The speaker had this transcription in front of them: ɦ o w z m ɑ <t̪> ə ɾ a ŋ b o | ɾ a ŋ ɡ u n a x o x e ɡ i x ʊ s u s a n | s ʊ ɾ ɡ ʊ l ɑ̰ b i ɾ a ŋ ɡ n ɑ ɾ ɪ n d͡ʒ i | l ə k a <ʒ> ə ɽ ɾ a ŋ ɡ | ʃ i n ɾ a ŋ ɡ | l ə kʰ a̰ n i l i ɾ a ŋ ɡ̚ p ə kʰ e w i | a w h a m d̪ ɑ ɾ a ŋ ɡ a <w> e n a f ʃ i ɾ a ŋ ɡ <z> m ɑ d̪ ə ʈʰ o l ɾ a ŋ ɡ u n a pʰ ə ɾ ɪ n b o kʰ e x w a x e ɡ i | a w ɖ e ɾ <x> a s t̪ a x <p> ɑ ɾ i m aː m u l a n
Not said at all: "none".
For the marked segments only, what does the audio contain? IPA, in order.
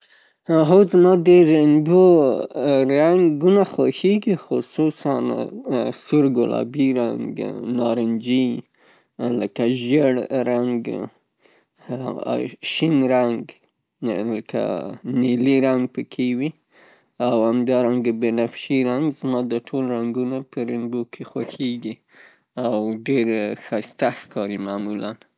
d̪, ʒ, b, z, x, k

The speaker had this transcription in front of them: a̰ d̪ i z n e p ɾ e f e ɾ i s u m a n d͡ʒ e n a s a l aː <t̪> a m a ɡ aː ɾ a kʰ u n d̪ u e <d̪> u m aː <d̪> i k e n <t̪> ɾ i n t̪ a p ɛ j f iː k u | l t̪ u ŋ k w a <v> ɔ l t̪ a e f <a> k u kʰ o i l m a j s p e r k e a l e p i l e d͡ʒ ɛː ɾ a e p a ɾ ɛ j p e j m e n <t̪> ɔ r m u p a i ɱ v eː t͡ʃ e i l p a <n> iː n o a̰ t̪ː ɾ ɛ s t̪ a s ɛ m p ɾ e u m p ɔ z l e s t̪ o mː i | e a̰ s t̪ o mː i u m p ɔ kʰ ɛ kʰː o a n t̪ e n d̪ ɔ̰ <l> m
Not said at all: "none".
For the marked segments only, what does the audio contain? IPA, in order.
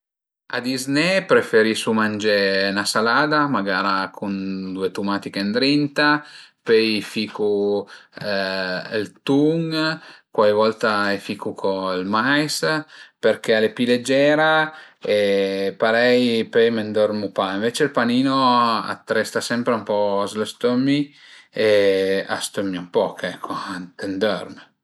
d̪, t̪, t̪, d̪, v, i, d̪, n, r

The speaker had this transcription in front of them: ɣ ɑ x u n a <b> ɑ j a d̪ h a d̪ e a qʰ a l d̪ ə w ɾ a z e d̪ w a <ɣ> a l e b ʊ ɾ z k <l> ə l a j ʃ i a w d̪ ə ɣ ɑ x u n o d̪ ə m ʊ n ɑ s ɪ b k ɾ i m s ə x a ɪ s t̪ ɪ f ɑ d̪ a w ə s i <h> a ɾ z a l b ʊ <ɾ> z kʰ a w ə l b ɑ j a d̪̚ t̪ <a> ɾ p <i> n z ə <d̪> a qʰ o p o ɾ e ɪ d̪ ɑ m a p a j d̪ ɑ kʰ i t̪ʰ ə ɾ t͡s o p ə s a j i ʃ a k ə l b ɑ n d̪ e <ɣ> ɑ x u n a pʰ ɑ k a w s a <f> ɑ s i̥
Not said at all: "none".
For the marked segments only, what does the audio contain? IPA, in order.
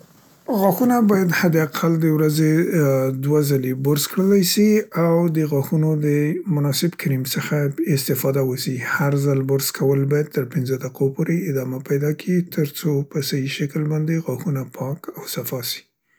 b, z, ɽ, h, ɾ, ə, ɪ, d̪, ɣ, f

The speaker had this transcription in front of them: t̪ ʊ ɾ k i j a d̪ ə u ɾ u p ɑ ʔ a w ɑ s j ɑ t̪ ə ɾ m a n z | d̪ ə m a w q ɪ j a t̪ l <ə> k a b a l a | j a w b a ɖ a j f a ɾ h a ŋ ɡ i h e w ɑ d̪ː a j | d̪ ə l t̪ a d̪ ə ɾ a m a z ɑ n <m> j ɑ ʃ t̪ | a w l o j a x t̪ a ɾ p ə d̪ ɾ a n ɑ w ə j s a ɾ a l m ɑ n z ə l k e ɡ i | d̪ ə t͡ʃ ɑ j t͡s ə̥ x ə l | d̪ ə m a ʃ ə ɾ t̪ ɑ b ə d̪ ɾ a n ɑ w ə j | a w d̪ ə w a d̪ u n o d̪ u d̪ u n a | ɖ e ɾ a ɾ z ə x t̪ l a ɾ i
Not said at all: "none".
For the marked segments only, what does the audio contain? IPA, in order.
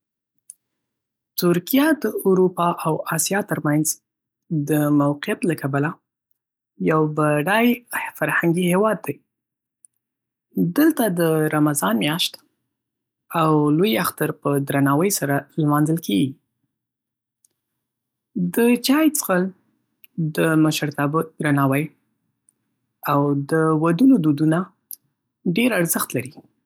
a, m

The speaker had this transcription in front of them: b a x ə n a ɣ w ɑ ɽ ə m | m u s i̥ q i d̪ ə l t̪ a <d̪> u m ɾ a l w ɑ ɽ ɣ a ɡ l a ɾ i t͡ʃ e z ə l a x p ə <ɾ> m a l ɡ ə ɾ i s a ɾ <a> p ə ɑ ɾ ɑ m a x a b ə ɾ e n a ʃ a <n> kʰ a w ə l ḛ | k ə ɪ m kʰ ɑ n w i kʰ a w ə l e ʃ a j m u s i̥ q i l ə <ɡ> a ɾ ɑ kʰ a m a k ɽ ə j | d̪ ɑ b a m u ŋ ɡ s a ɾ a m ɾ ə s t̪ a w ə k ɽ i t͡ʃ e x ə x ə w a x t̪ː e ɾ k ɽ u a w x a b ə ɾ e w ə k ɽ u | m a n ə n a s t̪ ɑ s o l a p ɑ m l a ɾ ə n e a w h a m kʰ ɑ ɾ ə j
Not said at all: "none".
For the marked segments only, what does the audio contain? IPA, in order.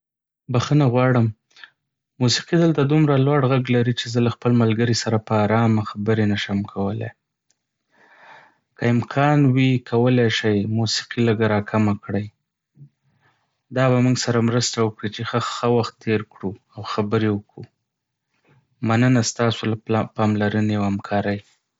d̪, l, a, m, ɡ

